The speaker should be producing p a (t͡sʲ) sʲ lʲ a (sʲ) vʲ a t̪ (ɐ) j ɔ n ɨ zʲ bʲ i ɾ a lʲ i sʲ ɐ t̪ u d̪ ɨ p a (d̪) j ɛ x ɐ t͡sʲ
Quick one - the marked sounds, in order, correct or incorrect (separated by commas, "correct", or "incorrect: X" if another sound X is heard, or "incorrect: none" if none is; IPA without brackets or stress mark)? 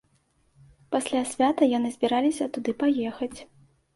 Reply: incorrect: none, correct, correct, incorrect: none